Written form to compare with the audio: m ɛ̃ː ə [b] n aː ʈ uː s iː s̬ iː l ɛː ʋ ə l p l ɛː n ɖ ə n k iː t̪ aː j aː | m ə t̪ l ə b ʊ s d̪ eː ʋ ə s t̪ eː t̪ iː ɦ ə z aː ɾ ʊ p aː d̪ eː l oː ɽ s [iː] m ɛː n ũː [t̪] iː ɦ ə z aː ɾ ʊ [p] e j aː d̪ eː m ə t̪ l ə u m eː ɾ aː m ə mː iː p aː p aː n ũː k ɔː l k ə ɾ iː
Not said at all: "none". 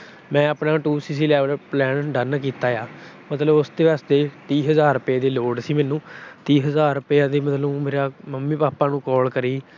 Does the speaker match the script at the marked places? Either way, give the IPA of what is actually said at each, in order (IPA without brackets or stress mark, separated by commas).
p, iː, t̪, p